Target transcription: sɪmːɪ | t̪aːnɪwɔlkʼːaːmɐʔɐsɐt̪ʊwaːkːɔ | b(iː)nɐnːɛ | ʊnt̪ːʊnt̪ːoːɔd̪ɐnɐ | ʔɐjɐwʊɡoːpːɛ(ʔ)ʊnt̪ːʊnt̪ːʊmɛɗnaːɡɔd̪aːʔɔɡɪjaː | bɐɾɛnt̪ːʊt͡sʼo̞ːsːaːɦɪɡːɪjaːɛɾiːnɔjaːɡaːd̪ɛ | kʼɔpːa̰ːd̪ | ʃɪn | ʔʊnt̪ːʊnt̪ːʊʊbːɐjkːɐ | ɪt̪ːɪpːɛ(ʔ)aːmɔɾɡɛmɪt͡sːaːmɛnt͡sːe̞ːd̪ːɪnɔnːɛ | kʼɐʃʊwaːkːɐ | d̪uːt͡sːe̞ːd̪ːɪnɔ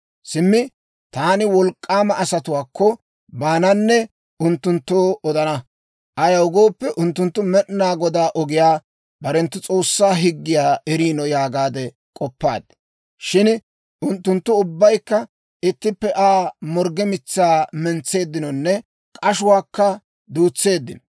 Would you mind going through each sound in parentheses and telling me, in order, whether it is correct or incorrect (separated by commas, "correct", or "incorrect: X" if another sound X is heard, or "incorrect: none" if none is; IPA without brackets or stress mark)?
incorrect: aː, correct, correct